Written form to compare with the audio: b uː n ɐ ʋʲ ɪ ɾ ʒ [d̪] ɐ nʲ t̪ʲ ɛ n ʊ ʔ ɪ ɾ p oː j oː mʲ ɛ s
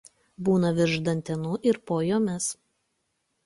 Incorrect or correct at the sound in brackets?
correct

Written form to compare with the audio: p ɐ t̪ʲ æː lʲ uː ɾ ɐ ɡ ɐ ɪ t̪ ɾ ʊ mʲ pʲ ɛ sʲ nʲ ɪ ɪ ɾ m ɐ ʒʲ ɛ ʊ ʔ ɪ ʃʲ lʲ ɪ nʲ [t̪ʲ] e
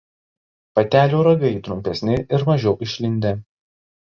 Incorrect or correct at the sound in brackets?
incorrect: d̪ʲ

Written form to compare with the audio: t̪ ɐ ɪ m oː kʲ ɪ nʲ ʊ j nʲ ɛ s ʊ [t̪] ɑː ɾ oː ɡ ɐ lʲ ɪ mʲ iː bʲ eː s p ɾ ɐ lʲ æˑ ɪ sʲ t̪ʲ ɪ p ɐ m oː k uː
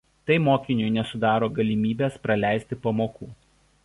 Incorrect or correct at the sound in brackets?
incorrect: d̪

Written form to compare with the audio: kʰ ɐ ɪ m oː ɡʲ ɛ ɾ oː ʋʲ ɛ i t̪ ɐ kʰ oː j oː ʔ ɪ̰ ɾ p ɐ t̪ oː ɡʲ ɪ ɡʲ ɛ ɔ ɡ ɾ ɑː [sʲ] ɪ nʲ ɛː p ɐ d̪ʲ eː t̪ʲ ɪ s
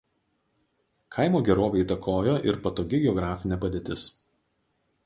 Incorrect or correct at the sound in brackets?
incorrect: fʲ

